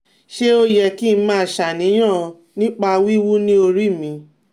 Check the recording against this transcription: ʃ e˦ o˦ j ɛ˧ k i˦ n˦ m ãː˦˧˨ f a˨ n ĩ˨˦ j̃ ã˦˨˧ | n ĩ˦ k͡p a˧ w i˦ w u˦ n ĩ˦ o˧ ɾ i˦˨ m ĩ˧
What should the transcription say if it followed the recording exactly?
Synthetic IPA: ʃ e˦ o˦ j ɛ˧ k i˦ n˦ m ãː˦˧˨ ʃ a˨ n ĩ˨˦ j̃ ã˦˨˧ | n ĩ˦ k͡p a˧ w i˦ w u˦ n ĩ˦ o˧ ɾ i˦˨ m ĩ˧